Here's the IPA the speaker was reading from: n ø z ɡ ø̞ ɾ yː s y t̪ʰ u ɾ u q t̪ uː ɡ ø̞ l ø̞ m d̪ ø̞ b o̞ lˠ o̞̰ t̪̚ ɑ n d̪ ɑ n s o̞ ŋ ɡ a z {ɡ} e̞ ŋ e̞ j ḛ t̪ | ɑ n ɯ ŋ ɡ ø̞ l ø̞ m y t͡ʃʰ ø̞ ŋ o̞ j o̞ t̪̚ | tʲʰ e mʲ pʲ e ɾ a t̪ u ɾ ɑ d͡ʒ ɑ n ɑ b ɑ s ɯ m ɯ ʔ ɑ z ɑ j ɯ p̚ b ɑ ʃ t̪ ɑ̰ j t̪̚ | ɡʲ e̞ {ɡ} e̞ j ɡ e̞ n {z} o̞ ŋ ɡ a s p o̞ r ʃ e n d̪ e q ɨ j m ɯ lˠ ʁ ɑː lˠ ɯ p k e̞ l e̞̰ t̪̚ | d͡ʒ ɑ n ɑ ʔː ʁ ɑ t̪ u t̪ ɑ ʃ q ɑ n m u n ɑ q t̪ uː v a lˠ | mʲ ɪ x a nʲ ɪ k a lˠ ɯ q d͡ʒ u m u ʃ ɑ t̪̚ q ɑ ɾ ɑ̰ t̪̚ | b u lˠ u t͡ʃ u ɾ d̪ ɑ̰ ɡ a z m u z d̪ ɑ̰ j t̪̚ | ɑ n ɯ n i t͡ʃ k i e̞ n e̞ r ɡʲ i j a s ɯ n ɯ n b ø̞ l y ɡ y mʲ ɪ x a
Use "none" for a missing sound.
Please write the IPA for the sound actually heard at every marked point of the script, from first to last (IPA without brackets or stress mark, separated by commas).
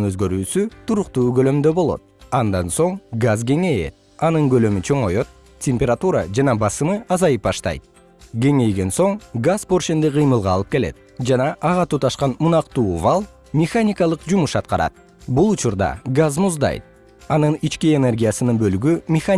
ɡ, ŋ, s